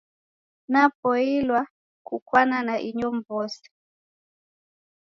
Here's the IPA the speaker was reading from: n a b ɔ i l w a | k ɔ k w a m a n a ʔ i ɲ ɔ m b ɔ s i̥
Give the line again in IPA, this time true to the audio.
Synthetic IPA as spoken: n a p ɔ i l w a | k u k w a n a n a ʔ i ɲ ɔ m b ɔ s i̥